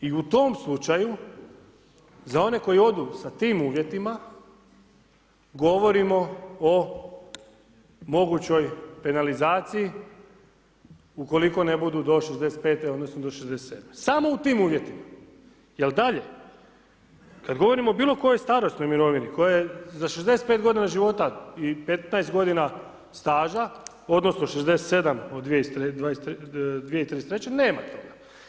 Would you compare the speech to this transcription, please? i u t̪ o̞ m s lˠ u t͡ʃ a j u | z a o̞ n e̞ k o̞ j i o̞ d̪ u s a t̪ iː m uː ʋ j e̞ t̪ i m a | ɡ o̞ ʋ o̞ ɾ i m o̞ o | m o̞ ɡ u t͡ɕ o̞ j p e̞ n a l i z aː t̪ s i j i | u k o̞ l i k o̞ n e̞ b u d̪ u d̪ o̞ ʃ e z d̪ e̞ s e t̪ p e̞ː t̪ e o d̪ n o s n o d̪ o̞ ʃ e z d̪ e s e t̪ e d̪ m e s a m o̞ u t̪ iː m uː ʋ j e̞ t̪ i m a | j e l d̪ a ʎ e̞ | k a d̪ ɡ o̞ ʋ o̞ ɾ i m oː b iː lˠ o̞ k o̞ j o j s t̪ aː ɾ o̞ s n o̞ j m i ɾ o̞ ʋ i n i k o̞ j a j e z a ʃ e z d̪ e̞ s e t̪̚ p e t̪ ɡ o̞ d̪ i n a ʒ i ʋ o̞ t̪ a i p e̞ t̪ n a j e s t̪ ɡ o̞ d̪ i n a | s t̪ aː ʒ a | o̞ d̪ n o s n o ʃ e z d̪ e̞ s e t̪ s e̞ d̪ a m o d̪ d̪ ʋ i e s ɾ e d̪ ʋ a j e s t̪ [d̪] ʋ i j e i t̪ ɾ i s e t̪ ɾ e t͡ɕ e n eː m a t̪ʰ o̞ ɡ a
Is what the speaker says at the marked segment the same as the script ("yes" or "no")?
yes